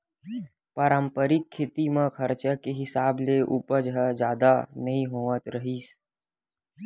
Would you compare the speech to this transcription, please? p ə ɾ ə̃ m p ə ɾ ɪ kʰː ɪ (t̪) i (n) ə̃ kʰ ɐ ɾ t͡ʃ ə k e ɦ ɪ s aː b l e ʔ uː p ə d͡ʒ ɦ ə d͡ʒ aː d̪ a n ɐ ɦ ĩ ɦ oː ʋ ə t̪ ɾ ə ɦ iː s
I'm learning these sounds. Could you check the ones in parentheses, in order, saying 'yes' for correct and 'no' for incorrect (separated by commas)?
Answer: yes, no